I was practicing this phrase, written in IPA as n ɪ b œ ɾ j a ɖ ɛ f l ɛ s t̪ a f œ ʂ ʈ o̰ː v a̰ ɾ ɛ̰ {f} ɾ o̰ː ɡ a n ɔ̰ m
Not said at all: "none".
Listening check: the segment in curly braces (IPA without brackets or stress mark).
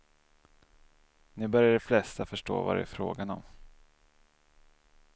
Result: f